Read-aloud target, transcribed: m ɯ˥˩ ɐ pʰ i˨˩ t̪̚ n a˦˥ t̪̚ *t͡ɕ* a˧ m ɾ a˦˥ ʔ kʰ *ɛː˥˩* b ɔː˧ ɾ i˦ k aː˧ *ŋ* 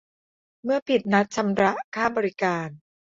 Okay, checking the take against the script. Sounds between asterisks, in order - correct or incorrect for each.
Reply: incorrect, incorrect, incorrect

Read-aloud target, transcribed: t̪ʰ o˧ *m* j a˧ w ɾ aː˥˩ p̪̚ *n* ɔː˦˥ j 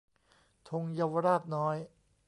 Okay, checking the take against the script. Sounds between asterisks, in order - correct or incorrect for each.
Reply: incorrect, correct

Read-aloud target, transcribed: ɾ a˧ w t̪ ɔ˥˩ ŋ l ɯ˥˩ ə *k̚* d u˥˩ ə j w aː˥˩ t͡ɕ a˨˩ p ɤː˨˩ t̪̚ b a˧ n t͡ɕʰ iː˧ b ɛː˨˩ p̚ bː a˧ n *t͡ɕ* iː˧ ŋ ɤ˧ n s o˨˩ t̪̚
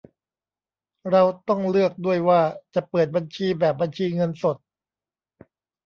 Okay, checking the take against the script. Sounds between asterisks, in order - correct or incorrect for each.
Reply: correct, incorrect

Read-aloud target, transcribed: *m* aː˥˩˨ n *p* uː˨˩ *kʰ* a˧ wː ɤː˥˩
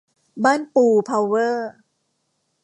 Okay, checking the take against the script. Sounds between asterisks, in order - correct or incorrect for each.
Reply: incorrect, correct, incorrect

